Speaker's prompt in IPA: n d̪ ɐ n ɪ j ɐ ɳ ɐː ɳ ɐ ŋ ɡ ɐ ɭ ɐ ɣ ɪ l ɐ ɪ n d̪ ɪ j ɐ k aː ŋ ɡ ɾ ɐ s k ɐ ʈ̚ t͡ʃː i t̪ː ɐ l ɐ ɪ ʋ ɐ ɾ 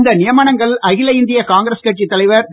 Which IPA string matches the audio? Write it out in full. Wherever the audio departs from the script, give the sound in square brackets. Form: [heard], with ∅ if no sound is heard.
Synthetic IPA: n d̪ ɐ n ɪ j ɐ [m] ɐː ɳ ɐ ŋ ɡ ɐ ɭ ɐ ɣ ɪ l ɐ ɪ n d̪ ɪ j ɐ k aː ŋ ɡ ɾ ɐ s k ɐ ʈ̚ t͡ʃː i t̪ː ɐ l ɐ ɪ ʋ ɐ ɾ